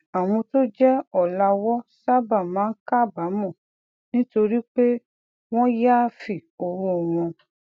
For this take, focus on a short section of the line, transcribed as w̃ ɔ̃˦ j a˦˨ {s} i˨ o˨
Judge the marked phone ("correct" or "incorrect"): incorrect